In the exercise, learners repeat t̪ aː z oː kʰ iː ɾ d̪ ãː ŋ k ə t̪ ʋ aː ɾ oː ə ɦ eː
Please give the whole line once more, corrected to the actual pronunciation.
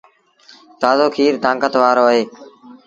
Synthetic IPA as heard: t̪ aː z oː kʰ iː ɾ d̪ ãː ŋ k ə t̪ ʋ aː ɾ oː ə ɦ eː